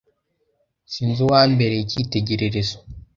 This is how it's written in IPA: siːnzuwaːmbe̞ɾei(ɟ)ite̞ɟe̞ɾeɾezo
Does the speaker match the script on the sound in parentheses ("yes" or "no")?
no